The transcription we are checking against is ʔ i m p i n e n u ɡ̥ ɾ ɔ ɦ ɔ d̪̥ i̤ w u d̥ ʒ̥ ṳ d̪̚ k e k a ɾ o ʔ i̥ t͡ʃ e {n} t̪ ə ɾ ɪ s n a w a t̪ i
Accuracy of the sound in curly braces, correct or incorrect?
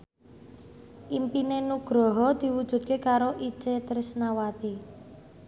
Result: incorrect